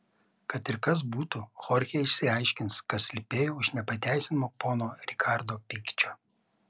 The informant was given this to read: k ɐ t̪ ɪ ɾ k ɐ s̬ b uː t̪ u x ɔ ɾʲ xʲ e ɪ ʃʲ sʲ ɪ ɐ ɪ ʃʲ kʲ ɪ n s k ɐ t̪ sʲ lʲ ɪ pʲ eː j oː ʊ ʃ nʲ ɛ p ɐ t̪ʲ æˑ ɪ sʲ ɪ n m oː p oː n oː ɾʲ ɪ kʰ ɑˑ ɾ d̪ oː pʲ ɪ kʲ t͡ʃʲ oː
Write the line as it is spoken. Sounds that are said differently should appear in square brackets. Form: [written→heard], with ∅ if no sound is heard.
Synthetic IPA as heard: k ɐ t̪ ɪ ɾ k ɐ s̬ b uː t̪ u x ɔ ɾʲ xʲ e ɪ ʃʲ sʲ ɪ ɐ ɪ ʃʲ kʲ ɪ n s k ɐ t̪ sʲ lʲ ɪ pʲ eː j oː ʊ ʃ nʲ ɛ p ɐ t̪ʲ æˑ ɪ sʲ ɪ n m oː p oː n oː ɾʲ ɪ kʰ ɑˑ ɾ d̪ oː pʲ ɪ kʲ t͡ʃʲ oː